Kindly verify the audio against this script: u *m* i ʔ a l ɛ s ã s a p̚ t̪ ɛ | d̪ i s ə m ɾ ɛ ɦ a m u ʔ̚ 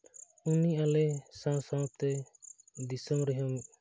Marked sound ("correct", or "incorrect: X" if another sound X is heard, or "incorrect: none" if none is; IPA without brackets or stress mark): incorrect: n